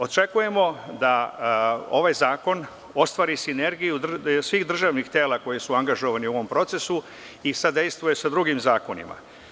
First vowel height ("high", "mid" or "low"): mid